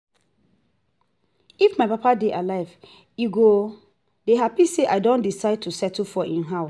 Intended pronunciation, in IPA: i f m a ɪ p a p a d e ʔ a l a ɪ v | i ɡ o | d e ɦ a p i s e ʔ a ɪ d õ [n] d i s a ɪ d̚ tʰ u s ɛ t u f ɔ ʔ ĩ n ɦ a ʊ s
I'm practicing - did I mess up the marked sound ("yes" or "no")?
no